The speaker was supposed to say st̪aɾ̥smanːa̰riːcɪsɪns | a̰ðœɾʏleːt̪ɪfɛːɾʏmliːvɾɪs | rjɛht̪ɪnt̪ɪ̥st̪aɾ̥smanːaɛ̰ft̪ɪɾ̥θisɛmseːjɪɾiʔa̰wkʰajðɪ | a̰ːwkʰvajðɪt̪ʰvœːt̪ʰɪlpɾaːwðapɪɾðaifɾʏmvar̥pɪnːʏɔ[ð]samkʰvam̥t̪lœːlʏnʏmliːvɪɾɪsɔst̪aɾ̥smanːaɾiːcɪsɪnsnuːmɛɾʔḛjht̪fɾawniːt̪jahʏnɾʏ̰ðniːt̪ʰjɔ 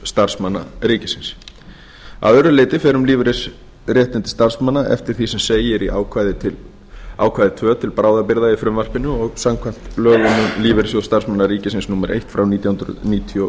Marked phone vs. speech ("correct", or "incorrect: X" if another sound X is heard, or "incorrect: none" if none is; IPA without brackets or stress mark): incorrect: ɣ